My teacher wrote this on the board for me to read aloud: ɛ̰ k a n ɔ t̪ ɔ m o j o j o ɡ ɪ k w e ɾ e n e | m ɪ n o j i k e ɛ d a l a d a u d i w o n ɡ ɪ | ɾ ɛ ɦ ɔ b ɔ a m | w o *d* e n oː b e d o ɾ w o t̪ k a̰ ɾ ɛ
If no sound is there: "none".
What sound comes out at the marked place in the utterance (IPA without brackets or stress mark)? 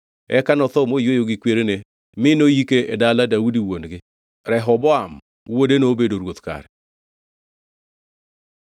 d